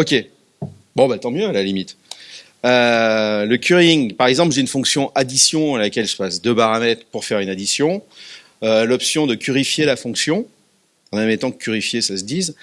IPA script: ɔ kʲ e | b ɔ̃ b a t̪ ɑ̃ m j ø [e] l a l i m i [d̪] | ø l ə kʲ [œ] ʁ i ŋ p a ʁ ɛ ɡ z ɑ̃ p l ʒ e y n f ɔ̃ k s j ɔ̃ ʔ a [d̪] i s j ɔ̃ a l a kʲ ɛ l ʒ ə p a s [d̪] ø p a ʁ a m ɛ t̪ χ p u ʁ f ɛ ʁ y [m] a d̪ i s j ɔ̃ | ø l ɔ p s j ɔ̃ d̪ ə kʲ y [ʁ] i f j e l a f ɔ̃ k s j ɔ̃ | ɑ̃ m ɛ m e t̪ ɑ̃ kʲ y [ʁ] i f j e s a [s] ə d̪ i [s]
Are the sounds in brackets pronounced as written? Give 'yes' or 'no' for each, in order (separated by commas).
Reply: no, no, no, yes, yes, no, yes, yes, yes, no